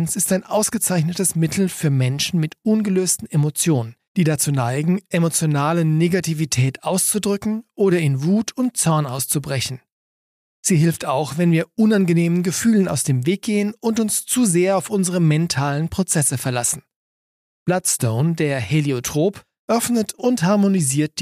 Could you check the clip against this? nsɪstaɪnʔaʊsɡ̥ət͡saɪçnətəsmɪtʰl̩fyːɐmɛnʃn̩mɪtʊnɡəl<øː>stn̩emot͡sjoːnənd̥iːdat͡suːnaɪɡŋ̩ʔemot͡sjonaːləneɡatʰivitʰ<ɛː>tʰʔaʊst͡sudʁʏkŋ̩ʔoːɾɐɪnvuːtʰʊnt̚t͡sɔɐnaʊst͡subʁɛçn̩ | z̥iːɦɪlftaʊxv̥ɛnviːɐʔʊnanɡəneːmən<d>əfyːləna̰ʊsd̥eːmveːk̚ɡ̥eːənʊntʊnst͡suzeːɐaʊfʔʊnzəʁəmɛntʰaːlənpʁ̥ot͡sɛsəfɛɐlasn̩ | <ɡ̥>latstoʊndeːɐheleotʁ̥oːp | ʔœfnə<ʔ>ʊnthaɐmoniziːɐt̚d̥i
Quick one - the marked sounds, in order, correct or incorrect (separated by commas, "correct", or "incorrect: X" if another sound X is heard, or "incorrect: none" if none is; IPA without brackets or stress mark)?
correct, correct, incorrect: ɡ, incorrect: b̥, incorrect: t